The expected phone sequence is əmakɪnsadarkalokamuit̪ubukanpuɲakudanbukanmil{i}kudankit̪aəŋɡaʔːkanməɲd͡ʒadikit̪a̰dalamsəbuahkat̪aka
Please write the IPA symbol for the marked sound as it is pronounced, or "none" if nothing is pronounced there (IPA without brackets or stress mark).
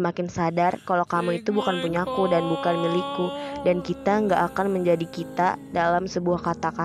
i